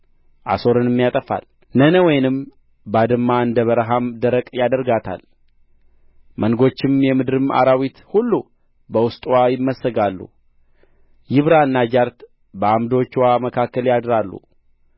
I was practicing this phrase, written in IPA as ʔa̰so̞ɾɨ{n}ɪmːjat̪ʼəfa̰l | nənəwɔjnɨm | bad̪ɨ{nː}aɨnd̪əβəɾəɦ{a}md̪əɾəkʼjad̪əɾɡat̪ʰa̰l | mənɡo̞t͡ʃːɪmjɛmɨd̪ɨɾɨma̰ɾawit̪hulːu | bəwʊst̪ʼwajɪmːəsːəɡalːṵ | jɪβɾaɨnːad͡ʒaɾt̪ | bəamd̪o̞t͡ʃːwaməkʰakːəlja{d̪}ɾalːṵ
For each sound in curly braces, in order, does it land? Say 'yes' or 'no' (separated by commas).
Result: yes, no, yes, yes